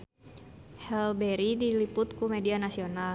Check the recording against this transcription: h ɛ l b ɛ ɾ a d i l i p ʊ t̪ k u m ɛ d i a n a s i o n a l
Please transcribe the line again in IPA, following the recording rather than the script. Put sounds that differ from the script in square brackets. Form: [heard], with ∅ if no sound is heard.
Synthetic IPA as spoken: h ɛ l b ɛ ɾ [i] d i l i p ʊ t̪ k u m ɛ d i a n a s i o n a l